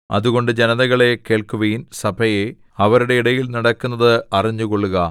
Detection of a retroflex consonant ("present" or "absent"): present